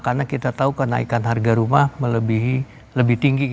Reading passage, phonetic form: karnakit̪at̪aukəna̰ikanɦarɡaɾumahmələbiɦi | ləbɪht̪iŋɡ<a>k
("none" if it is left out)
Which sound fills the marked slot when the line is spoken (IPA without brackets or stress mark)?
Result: i